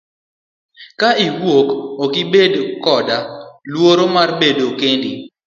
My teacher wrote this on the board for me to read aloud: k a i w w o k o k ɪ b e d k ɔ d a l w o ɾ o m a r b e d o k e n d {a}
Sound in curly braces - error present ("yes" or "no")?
yes